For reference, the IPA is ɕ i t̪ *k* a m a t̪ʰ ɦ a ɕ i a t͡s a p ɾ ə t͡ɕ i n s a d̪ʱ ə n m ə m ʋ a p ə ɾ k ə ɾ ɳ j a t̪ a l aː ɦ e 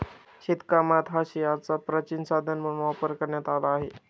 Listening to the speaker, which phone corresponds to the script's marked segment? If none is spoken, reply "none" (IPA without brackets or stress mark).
k